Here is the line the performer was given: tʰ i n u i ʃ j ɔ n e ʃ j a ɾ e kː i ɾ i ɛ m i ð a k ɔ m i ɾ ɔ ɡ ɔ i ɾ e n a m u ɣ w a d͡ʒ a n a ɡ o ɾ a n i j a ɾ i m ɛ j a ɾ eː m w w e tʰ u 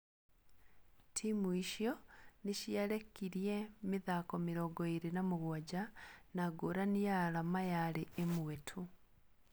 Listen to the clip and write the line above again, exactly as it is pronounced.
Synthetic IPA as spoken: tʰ i m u i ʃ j ɔ n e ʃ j a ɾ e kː i ɾ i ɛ m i ð a k ɔ m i ɾ ɔ ɡ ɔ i ɾ e n a m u ɣ w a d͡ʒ a n a ɡ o ɾ a n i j a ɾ a m a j a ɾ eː m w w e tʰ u